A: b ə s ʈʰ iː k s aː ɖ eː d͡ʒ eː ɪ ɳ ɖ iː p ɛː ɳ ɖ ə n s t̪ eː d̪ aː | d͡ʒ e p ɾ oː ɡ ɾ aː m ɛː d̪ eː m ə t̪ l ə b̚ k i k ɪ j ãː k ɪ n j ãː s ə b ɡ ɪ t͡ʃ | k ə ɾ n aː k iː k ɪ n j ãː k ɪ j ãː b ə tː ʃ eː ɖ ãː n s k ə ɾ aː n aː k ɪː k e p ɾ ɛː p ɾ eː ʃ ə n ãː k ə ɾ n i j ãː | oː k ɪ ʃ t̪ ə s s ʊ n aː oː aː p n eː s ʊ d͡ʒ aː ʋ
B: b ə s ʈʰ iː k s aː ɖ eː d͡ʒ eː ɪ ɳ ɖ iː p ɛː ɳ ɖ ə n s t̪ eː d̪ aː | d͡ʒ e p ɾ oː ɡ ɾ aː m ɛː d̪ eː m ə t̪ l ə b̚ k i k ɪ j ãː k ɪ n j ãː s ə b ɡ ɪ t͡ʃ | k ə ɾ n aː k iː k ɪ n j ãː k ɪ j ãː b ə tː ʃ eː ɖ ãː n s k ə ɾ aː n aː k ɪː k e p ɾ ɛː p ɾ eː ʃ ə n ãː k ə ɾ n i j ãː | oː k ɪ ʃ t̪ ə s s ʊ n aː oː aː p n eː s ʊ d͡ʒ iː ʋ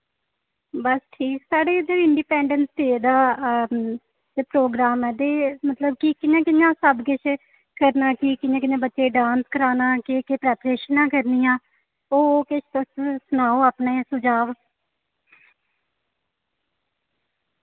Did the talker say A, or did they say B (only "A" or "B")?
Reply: A